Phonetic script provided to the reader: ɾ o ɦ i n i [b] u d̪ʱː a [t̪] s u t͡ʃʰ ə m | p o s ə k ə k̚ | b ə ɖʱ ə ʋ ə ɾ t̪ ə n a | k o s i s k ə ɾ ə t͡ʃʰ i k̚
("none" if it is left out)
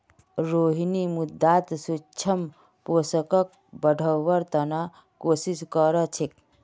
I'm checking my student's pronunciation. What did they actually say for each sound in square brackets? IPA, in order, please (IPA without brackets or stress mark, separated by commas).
m, t̪